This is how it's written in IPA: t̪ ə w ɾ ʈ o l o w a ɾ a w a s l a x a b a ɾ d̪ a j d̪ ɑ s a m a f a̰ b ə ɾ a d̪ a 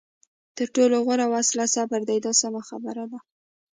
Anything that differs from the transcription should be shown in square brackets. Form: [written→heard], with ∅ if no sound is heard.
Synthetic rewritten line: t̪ ə [w→∅] ɾ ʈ o l o [w→ɣ] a ɾ a w a s l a [x→s] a b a ɾ d̪ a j d̪ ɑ s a m a [f→x] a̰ b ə ɾ a d̪ a